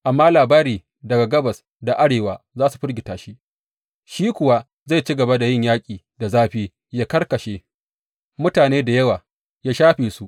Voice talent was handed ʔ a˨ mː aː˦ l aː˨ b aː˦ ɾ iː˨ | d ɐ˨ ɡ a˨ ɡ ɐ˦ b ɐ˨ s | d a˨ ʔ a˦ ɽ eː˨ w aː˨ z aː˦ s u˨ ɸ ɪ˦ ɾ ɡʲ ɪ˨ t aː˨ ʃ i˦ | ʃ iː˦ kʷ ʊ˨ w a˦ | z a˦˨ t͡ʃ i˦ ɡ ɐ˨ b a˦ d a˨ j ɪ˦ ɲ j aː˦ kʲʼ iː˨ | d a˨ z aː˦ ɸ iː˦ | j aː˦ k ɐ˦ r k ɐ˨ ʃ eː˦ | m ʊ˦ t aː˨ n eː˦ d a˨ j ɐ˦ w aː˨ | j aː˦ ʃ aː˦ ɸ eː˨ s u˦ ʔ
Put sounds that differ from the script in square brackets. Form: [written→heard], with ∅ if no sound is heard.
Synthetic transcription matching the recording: ʔ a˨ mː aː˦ l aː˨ b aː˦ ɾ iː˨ | d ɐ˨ ɡ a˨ ɡ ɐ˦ b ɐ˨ s | d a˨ ʔ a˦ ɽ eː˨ w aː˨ z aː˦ s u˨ ɸ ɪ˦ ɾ ɡʲ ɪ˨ t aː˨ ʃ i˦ | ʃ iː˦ kʷ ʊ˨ w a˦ | z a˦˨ t͡ʃ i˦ ɡ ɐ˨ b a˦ d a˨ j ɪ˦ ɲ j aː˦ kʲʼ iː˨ | d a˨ z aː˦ ɸ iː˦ | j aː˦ k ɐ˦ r k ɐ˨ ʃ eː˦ | m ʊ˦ t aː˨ n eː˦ d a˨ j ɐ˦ w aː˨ | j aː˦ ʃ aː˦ ɸ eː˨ s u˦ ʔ